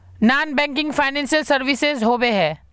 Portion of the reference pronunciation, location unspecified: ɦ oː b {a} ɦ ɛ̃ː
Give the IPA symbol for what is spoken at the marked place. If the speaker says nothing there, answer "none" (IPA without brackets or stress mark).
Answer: e